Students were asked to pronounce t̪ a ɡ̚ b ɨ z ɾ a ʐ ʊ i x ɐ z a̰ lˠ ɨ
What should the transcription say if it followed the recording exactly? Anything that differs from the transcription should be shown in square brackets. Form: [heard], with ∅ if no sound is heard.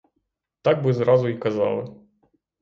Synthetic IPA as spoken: t̪ a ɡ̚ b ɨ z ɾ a [z] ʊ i [k] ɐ z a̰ lˠ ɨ